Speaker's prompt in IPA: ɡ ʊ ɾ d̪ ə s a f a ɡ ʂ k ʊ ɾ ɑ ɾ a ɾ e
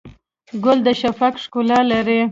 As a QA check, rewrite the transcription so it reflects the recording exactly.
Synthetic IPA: ɡ ʊ l d̪ ə ʃ a f a k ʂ k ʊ l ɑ l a ɾ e